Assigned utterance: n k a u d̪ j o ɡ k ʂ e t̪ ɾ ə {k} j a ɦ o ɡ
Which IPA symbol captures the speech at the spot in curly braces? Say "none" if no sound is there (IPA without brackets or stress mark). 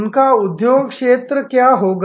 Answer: k